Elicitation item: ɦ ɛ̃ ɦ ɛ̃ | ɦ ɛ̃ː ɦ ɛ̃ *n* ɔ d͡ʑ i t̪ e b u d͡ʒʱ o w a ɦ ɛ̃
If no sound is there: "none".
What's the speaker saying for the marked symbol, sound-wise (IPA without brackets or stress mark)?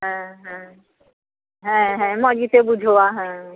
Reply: m